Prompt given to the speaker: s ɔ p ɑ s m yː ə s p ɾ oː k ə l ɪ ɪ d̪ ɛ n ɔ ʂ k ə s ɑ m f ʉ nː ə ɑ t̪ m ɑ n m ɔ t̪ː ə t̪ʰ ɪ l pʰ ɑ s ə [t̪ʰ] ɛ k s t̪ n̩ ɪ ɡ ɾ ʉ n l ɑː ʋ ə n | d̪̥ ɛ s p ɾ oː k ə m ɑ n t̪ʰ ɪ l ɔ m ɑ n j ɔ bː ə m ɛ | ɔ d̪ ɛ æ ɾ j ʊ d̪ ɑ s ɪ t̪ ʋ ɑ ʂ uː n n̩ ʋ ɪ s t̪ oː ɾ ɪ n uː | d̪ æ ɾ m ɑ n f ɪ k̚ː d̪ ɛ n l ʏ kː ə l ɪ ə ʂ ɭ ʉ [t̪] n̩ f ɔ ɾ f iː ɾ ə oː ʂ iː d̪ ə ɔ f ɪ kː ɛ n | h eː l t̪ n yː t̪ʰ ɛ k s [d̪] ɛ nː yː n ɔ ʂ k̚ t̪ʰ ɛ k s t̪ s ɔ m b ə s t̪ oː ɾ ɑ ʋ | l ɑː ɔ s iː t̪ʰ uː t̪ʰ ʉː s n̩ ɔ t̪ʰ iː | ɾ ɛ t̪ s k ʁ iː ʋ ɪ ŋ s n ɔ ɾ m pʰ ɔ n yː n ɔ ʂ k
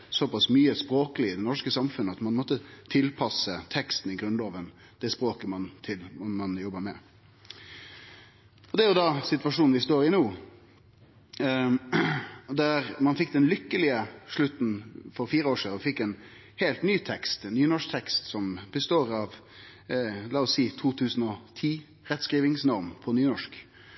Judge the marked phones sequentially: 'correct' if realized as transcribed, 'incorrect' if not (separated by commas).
correct, correct, incorrect